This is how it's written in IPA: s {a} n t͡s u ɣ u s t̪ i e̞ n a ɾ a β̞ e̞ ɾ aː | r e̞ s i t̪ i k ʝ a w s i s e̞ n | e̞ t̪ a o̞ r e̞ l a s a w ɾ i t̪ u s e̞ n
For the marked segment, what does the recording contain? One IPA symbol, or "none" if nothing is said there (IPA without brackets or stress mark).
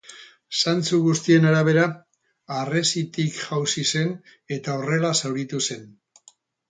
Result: a